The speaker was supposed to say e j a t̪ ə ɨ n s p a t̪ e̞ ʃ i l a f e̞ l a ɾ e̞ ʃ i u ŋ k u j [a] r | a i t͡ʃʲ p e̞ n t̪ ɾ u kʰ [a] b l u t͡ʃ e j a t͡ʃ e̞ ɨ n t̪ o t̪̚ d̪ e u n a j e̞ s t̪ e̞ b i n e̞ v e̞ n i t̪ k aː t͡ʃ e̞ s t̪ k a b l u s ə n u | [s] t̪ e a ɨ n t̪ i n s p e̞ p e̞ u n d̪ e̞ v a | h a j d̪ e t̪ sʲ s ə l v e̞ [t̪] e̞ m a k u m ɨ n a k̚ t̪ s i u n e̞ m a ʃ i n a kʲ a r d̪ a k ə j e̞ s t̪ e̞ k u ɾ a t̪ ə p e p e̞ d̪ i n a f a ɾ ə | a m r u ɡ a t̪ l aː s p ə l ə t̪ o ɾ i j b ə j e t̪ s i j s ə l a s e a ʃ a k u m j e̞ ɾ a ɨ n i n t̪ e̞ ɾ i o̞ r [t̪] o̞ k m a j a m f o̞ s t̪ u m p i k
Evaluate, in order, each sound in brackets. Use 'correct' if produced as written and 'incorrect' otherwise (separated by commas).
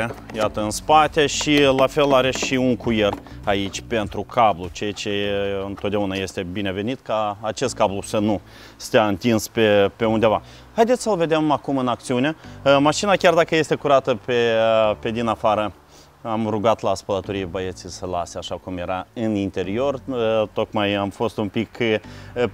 incorrect, correct, correct, incorrect, correct